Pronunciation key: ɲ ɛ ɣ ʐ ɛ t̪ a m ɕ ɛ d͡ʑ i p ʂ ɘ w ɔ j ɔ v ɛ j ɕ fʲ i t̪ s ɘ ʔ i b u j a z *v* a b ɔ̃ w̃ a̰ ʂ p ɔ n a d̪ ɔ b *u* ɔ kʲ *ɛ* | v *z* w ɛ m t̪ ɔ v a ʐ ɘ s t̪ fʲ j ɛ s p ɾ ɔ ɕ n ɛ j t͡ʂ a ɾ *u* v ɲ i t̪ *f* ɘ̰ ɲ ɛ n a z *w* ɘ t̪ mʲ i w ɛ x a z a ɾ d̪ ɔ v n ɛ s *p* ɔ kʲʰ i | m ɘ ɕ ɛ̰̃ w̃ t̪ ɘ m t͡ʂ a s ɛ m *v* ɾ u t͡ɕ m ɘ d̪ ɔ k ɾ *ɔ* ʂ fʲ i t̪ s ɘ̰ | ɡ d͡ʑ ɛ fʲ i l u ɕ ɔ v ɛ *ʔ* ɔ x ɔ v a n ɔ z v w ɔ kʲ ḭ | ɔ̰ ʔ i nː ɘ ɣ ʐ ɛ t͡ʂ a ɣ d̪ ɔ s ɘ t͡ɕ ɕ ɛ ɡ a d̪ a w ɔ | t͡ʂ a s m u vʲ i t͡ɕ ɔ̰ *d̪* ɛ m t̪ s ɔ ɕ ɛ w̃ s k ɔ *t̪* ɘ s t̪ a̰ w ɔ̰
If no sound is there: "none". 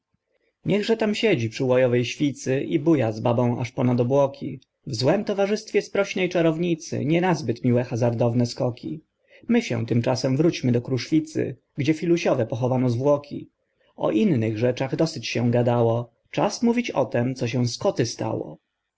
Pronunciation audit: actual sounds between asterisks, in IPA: b, w, i, z, ɔ, s, b, k, v, u, p, t̪, t̪

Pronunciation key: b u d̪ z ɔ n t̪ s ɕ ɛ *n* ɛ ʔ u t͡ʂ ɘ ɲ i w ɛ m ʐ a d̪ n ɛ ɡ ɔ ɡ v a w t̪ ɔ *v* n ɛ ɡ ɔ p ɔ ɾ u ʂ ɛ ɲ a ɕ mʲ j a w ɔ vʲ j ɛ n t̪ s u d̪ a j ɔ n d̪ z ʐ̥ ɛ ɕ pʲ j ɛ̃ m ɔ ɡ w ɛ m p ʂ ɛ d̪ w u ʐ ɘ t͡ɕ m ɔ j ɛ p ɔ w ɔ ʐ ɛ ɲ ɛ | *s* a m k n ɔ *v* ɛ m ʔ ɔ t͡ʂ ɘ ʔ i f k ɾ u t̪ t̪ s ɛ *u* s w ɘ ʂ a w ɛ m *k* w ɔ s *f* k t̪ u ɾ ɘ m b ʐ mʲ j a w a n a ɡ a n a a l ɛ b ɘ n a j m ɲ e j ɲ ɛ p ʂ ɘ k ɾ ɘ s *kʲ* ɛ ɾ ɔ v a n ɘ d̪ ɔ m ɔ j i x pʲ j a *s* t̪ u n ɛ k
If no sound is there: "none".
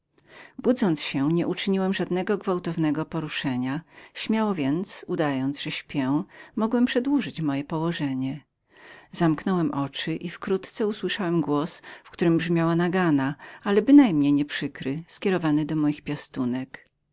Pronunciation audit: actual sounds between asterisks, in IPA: ɲ, v, z, w, u, ɡ, f, kʲ, s

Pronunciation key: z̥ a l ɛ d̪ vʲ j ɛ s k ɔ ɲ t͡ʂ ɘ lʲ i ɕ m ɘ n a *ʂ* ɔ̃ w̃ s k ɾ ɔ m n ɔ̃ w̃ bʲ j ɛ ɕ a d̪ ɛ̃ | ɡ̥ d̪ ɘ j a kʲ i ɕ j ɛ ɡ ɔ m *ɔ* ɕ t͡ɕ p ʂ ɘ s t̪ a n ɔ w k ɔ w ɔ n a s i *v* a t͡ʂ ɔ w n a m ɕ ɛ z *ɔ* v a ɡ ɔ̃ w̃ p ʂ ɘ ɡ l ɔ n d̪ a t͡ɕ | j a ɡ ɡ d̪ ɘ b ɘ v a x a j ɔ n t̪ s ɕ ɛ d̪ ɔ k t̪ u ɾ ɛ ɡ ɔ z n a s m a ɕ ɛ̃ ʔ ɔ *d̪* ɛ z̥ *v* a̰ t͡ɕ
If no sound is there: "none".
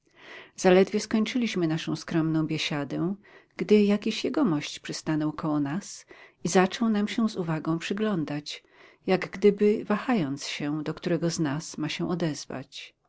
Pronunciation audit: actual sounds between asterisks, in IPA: ʂ, ɔ, z, u, d̪, v

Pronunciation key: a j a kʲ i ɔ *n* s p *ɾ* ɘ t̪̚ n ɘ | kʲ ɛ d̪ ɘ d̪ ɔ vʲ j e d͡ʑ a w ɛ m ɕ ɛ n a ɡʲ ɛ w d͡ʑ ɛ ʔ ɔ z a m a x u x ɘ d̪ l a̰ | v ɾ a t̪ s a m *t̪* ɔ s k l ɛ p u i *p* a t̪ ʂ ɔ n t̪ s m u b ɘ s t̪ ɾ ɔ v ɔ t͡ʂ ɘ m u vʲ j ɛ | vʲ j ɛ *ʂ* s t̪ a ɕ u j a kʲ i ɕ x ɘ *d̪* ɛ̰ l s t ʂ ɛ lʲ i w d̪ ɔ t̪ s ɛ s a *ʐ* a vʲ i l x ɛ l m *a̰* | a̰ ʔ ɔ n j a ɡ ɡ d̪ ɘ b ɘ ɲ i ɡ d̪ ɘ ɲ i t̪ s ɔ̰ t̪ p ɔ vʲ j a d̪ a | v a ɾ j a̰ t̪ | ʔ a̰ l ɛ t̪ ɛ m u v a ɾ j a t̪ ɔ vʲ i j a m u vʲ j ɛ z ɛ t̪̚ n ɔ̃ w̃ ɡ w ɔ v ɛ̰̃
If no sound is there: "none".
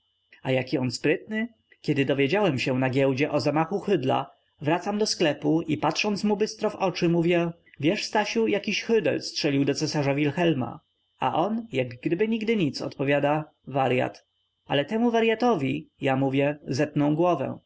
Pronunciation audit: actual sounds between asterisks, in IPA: n, ɾ, d̪, p, ʂ, d̪, ʐ, a̰

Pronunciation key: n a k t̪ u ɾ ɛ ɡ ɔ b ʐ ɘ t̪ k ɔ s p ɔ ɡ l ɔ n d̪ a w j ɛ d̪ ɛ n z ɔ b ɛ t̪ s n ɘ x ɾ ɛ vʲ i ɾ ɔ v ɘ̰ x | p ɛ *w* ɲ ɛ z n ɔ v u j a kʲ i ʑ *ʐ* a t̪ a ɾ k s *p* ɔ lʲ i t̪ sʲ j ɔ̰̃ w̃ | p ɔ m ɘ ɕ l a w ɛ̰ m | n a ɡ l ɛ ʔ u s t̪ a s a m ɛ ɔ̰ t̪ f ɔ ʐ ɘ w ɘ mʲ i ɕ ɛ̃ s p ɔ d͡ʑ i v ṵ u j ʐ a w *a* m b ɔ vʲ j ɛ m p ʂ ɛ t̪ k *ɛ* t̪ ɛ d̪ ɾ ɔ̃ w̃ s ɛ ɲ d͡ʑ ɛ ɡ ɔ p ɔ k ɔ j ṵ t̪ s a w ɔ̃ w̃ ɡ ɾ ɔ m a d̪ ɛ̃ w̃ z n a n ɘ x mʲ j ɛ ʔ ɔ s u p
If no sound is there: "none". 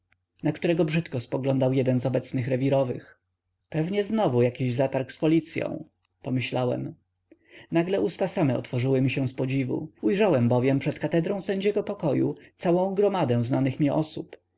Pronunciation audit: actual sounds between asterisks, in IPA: v, z, p, ɛ, a

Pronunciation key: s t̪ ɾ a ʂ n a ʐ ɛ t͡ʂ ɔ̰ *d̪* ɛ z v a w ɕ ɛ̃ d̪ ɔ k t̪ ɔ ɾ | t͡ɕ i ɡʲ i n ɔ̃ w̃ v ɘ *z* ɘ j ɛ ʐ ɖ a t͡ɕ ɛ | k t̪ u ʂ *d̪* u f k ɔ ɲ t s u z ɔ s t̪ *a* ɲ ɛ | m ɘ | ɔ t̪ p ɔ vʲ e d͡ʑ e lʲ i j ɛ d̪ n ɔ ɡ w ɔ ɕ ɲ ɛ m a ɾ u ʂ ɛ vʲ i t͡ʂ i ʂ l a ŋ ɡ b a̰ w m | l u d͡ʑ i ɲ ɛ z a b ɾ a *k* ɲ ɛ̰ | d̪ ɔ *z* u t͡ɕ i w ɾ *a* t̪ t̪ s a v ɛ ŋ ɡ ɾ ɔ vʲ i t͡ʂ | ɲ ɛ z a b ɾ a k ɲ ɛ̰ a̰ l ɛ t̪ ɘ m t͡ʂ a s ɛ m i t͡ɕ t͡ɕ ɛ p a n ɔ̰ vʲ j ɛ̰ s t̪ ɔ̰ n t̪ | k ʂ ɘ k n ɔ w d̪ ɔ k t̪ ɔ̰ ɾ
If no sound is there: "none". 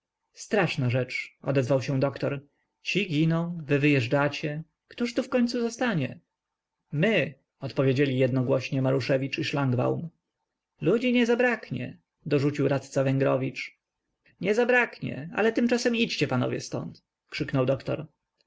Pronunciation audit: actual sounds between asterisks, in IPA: d̪, v, t̪, a, k, ʐ, a

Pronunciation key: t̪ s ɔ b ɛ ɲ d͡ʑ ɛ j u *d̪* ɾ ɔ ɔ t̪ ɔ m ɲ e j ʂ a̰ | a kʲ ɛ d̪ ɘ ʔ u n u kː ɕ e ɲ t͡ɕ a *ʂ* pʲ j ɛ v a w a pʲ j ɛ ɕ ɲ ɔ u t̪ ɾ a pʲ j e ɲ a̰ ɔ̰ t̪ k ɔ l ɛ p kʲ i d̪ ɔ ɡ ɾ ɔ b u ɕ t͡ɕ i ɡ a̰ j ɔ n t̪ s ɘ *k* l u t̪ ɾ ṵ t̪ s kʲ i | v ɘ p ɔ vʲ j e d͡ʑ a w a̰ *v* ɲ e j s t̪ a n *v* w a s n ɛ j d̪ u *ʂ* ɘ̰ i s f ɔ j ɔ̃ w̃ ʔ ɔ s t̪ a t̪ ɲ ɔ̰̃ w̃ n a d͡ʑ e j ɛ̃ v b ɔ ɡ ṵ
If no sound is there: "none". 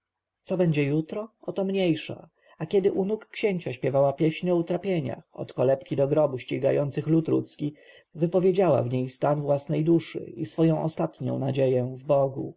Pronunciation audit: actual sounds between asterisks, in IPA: t̪, ɕ, x, v, v, ʂ

